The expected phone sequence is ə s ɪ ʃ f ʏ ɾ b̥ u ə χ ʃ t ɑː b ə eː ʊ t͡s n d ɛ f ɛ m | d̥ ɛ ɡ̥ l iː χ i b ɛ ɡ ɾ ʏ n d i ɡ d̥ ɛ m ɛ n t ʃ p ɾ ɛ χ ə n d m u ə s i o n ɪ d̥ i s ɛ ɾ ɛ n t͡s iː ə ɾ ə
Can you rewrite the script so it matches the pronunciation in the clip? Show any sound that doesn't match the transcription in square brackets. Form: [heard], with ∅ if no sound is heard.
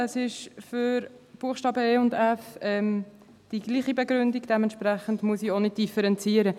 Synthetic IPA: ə s ɪ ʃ f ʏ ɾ b̥ u ə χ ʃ t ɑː b ə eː ʊ [∅] n d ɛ f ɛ m | d̥ [i] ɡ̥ l iː χ i b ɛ ɡ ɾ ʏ n d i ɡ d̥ ɛ m ɛ n t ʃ p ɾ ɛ χ ə n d m u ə s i o n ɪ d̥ i [f] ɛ ɾ ɛ n t͡s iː ə ɾ ə

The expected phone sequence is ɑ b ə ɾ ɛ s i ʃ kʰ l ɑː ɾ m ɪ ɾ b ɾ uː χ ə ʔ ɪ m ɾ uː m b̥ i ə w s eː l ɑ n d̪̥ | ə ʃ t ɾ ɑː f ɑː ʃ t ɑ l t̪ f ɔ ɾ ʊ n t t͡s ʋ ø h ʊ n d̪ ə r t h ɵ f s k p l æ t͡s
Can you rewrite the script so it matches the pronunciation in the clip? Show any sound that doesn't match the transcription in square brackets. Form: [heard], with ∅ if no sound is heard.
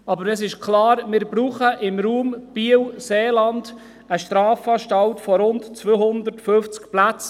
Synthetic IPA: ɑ b ə ɾ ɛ s [ɪ] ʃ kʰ l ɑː ɾ m ɪ ɾ b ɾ uː χ ə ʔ ɪ m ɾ uː m b̥ i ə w s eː l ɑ n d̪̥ | ə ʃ t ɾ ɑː f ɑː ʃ t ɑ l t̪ f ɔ ɾ ʊ n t t͡s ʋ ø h ʊ n d̪ ə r t [f] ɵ f [t͡s] k p l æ t͡s

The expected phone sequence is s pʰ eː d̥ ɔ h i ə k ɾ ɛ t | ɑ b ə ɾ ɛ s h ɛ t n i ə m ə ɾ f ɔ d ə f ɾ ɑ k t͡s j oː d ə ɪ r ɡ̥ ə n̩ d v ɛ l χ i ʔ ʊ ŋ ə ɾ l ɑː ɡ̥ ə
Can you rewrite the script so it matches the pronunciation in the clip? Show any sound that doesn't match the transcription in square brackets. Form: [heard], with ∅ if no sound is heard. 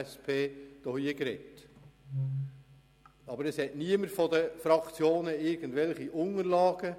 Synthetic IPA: s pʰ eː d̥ ɔ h i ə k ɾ ɛ t | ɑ b ə ɾ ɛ s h ɛ t n i ə m ə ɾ f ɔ d ə f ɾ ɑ k t͡s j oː [n] ə ɪ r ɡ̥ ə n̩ d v ɛ l χ i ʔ ʊ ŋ ə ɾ l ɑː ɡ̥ ə

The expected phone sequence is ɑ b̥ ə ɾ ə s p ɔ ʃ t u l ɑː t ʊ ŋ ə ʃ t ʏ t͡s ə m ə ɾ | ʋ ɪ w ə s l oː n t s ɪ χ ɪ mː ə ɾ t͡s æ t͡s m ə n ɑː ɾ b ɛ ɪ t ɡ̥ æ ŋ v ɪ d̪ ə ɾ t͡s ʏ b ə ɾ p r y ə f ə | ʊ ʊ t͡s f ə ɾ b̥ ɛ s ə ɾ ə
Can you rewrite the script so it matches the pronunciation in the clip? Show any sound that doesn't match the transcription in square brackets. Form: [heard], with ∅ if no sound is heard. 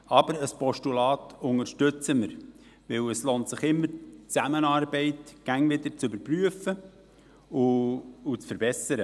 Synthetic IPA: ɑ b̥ ə ɾ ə s p ɔ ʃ t u l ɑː t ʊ ŋ ə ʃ t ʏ t͡s ə m ə ɾ | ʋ ɪ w ə s l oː n t s ɪ χ ɪ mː ə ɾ t͡s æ [∅] m ə n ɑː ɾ b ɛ ɪ t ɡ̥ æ ŋ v ɪ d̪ ə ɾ t͡s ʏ b ə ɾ p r y ə f ə | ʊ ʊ t͡s f ə ɾ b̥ ɛ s ə ɾ ə

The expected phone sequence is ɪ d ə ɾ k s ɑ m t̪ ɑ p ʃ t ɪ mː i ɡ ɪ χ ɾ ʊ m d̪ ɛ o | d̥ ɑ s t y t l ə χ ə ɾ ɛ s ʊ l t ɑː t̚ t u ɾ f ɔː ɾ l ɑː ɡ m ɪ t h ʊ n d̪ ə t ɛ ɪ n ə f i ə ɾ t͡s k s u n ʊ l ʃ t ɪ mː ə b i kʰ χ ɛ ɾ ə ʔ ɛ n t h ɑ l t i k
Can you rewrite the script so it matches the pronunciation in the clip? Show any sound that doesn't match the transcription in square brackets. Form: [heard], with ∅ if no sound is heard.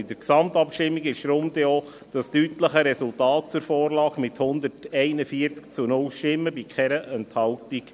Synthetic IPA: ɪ d ə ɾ k s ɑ m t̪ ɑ p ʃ t ɪ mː i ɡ ɪ [ʃ] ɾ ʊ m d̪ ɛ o | d̥ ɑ s t y t l ə χ ə ɾ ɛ s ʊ l t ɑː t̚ [t͡s] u ɾ f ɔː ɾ l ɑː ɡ m ɪ t h ʊ n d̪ ə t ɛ ɪ n ə f i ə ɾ t͡s k [t͡s] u n ʊ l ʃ t ɪ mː ə b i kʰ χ ɛ ɾ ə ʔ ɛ n t h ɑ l t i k

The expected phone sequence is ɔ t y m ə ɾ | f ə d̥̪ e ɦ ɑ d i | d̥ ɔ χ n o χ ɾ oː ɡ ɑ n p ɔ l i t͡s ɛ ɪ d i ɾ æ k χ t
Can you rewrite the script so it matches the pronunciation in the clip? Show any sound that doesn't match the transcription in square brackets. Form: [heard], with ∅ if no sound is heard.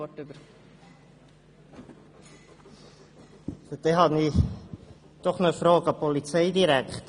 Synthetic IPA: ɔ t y [b] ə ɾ | f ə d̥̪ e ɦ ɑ [n] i | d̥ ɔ χ n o [f] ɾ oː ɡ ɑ [∅] p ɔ l i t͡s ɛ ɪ d i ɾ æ k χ t

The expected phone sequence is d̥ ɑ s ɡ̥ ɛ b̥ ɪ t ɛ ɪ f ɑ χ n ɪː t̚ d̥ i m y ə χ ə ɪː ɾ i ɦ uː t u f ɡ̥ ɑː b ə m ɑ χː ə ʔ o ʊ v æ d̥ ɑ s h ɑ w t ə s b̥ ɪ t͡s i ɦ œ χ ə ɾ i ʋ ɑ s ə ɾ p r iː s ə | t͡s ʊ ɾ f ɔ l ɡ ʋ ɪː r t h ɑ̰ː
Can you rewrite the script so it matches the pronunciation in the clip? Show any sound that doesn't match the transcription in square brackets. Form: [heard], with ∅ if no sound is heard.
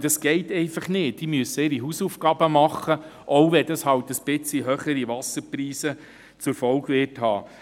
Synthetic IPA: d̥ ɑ s ɡ̥ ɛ [∅] ɪ t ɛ ɪ f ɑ χ n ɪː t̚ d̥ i m y ə [s] ə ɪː ɾ i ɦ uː [s] u f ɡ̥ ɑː b ə m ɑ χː ə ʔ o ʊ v [ɛ] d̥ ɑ s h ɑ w t ə s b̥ ɪ t͡s i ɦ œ χ ə ɾ i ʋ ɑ s ə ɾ p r iː s ə | t͡s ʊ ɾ f ɔ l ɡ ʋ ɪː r t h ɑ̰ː

